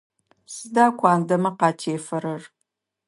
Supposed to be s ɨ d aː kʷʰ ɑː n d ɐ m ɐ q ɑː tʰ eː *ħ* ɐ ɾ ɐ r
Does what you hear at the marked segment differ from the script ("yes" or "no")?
yes